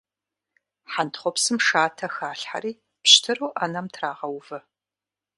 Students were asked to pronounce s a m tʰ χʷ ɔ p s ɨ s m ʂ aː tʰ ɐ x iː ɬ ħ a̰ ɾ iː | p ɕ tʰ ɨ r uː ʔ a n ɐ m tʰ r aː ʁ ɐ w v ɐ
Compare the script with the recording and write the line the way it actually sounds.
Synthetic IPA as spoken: ħ a n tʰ χʷ ɔ p s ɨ m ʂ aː tʰ ɐ x aː ɬ ħ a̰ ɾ iː | p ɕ tʰ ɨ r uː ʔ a n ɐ m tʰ r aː ʁ ɐ w v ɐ